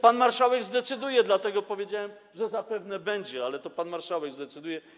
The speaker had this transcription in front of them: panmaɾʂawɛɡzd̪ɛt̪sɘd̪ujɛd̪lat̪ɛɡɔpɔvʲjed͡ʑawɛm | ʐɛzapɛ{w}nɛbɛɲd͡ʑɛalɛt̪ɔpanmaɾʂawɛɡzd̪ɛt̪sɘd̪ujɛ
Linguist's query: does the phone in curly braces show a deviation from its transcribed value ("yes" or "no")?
yes